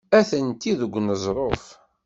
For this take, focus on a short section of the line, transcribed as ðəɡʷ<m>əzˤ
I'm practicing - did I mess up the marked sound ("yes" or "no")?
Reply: yes